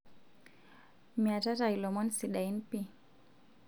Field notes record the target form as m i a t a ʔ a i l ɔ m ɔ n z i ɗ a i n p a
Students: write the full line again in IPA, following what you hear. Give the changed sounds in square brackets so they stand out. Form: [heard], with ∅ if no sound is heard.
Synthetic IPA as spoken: m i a t a [t] a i l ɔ m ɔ n [s] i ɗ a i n p [i]

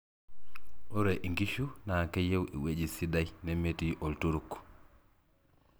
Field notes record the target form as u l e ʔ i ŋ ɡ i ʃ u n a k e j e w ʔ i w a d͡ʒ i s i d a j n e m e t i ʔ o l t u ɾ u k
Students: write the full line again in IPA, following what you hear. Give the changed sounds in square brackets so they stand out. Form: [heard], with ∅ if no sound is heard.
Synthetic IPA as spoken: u [ɾ] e ʔ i ŋ ɡ i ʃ u n a k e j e w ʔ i w [e] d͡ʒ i s i d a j n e m e t i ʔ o l t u ɾ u k

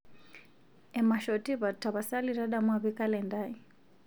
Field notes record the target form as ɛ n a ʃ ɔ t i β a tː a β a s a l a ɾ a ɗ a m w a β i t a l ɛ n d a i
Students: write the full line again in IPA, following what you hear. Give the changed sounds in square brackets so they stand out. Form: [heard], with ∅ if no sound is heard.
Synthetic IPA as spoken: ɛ [m] a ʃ ɔ t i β a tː a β a s a l [i] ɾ a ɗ a m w a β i [k] a l ɛ n d a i

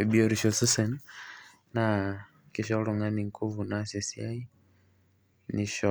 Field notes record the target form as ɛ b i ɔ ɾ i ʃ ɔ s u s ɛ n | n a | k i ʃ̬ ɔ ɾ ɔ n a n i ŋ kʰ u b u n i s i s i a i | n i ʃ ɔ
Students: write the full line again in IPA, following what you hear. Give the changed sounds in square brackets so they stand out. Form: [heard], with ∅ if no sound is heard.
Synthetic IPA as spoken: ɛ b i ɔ ɾ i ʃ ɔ s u s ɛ n | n a | k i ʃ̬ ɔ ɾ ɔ [ŋ] a n i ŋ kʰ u [v] u n [a] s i s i a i | n i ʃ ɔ

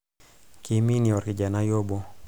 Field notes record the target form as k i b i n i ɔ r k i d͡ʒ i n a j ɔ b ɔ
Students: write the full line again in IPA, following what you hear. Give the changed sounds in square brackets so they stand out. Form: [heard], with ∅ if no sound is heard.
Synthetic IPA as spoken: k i [m] i n i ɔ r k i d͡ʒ [a] n a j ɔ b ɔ

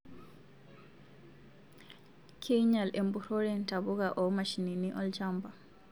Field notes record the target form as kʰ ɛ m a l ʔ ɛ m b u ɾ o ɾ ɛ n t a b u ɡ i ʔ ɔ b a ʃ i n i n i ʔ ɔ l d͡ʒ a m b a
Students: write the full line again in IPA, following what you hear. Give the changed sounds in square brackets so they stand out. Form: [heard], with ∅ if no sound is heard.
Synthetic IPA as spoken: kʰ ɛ [ɲ] a l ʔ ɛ m b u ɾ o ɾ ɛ n t a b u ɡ [a] ʔ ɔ [m] a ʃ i n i n i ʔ ɔ l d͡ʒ a m b a

